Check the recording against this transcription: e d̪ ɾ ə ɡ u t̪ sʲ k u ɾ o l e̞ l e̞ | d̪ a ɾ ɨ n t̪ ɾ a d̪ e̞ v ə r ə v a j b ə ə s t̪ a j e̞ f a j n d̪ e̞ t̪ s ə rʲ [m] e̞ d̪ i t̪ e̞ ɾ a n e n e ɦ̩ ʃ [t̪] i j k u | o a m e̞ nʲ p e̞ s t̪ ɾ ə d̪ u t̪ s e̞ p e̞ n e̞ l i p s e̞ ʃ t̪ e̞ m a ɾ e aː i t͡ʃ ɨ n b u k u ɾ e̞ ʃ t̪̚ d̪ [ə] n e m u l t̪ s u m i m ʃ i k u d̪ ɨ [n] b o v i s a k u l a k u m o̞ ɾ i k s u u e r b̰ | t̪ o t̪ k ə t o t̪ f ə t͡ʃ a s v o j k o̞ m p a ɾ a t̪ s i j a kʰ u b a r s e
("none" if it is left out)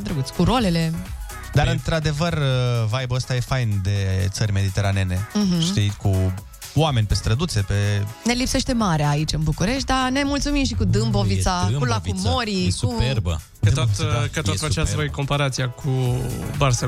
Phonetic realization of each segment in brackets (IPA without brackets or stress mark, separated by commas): m, t̪, a, m